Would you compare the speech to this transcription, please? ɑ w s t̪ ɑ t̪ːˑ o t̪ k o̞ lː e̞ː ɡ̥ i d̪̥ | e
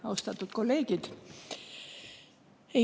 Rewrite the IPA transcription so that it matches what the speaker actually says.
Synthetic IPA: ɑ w s t̪ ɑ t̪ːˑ u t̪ k o̞ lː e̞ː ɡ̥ i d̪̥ | e